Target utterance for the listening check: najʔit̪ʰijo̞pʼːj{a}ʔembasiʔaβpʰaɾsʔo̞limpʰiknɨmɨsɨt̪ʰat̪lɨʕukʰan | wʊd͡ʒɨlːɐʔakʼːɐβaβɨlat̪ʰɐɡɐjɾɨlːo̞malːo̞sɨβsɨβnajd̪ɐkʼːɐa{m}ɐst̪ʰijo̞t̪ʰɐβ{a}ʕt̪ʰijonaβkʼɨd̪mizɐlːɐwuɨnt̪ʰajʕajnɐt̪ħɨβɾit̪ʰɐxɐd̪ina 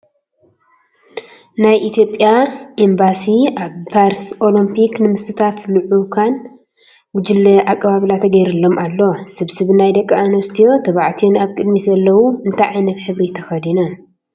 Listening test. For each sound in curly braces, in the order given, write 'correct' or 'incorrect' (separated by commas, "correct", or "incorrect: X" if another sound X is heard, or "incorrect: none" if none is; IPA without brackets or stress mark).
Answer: correct, incorrect: n, correct